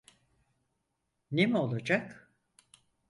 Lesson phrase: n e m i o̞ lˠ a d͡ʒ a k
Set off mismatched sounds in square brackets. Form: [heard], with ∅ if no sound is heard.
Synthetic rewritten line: n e m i o̞ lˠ a d͡ʒ a k